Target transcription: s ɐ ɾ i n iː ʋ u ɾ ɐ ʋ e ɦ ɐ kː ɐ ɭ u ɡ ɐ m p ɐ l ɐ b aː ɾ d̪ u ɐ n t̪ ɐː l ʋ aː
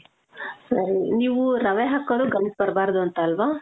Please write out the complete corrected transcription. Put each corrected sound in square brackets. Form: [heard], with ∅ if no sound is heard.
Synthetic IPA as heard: s ɐ ɾ i n iː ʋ u ɾ ɐ ʋ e ɦ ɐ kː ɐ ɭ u ɡ ɐ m p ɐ [ɾ] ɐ b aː ɾ d̪ u ɐ n t̪ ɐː l ʋ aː